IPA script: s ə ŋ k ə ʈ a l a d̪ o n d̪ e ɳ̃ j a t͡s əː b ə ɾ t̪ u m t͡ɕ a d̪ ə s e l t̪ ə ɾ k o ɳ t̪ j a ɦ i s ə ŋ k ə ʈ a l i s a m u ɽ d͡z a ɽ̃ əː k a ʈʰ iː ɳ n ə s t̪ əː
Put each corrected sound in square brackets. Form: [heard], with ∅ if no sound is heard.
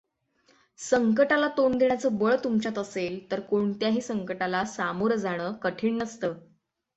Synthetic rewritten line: s ə ŋ k ə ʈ a l a [t̪] o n d̪ e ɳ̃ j a t͡s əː b ə [ɭ] t̪ u m t͡ɕ a [t̪] ə s e l t̪ ə ɾ k o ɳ t̪ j a ɦ [iː] s ə ŋ k ə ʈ a l [a] s a m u [ɾ] d͡z a ɽ̃ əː k [ə] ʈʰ iː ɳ n ə s t̪ əː

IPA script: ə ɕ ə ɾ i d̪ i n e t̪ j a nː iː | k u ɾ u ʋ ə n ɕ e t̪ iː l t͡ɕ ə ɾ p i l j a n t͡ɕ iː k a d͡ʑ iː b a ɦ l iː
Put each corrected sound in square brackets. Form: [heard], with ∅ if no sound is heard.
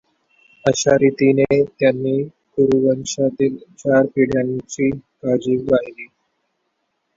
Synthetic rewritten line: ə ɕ [a] ɾ i [t̪] i n e t̪ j a nː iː | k u ɾ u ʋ ə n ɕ [a] t̪ iː l t͡ɕ [a] ɾ p i [ɽ] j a n t͡ɕ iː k a d͡ʑ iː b a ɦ l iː

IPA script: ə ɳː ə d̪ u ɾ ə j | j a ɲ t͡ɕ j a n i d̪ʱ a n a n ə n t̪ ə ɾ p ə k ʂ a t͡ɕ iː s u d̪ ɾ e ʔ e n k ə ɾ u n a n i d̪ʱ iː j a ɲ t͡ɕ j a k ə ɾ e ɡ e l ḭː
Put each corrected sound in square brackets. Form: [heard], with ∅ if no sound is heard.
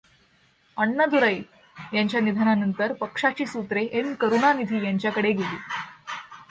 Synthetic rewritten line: ə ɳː ə d̪ u ɾ ə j | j a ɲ t͡ɕ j a n i d̪ʱ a n a n ə n t̪ ə ɾ p ə k ʂ a t͡ɕ iː s u [t̪] ɾ e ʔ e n k ə ɾ u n a n i d̪ʱ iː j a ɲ t͡ɕ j a k ə [ɽ] e ɡ e l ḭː

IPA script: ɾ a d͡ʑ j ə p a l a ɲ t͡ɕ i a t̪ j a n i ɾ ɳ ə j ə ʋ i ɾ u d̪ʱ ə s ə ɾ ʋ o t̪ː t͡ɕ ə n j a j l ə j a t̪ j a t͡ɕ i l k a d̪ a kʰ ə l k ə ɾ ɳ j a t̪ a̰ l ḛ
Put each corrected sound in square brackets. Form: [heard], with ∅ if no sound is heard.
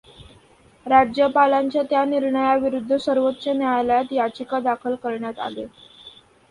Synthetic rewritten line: ɾ a d͡ʑ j ə p a l a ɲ t͡ɕ [j] a t̪ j a n i ɾ ɳ ə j [a] ʋ i ɾ u [d̪ʱː] ə s ə ɾ ʋ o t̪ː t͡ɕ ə n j a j l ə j a t̪ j a t͡ɕ i [∅] k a d̪ a kʰ ə l k ə ɾ ɳ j a t̪ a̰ l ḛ

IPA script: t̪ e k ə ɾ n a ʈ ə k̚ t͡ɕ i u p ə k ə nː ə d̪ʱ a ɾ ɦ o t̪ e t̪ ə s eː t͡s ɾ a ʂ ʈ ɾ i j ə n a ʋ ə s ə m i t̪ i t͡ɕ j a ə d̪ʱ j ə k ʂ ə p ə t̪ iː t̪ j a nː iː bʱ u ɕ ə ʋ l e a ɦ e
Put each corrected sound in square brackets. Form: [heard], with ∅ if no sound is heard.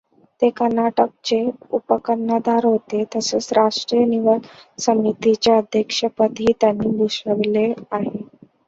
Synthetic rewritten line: t̪ e k ə ɾ n a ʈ ə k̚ t͡ɕ [e] u p ə k ə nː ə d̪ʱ a ɾ ɦ o t̪ e t̪ ə s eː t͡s ɾ a ʂ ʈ ɾ i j ə n [i] ʋ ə s ə m i t̪ i t͡ɕ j a ə d̪ʱ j ə k ʂ ə p ə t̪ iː t̪ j a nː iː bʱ u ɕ ə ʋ l e a ɦ e

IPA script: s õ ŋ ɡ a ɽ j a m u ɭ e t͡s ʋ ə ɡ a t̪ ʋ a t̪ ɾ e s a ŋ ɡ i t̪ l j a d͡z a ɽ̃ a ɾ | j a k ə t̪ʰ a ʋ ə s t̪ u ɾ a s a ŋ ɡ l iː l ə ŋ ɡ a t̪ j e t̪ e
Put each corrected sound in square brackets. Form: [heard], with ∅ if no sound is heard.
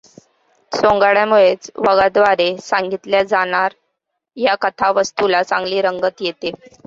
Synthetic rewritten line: s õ ŋ ɡ a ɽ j a m u ɭ e t͡s ʋ ə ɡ a [d̪] ʋ a [∅] ɾ e s a ŋ ɡ i t̪ l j a d͡z a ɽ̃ a ɾ | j a k ə t̪ʰ a ʋ ə s t̪ u [l] a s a ŋ ɡ l iː [ɾ] ə ŋ ɡ [ə] t̪ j e t̪ e

